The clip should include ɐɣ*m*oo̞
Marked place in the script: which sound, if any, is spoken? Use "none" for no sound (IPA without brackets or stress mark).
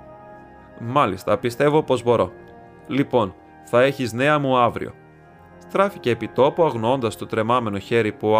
n